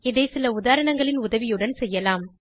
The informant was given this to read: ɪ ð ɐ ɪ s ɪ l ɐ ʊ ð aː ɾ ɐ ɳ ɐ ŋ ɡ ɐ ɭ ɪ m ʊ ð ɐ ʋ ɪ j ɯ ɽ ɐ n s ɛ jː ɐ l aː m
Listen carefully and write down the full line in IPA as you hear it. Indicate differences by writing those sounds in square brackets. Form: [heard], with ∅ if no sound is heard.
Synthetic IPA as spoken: ɪ ð ɐ ɪ s ɪ l ɐ ʊ ð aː ɾ ɐ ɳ ɐ ŋ ɡ ɐ ɭ ɪ [n] ʊ ð ɐ ʋ ɪ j ɯ ɽ ɐ n s ɛ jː ɐ l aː m